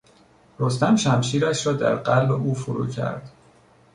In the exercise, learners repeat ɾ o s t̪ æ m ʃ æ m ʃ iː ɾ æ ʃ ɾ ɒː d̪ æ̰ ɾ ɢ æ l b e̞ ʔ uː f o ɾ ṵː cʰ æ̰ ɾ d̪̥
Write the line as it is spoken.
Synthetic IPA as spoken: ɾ o s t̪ æ m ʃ æ m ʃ iː ɾ æ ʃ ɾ ɒː d̪ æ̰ ɾ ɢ æ l b e̞ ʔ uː f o ɾ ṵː cʰ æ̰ ɾ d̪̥